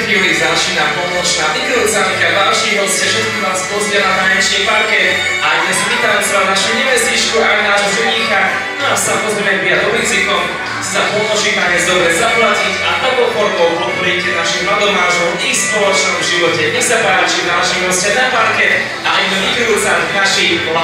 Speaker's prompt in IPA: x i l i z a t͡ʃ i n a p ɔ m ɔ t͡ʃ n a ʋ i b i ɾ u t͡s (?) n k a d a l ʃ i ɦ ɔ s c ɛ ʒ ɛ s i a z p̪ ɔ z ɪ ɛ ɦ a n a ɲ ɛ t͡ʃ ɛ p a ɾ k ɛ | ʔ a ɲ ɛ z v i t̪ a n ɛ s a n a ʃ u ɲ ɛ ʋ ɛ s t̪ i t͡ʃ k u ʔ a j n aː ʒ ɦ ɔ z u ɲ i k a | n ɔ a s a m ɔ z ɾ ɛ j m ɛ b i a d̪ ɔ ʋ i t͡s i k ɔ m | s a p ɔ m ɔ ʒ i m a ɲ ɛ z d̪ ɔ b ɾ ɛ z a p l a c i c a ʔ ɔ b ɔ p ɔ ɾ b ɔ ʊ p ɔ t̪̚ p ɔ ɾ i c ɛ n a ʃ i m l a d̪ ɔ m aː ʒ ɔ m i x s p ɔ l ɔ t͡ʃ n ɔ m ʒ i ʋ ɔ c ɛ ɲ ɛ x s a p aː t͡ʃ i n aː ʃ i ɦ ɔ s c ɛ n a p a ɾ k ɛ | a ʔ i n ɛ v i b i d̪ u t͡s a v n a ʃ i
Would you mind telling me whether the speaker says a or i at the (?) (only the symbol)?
a